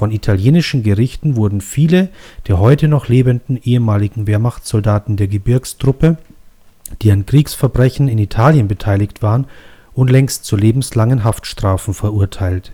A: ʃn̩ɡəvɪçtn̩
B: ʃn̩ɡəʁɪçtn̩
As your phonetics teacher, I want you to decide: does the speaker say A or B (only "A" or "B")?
B